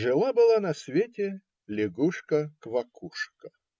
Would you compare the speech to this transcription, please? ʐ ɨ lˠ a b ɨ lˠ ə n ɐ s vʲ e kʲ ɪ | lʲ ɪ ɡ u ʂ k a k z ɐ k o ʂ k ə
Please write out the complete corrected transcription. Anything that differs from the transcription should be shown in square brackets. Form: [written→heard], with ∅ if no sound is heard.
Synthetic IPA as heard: ʐ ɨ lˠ a b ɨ lˠ [ə→a] n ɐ s vʲ e [kʲ→tʲ] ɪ | lʲ ɪ ɡ u ʂ k [a→ə] k [z→v] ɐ k [o→u] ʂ k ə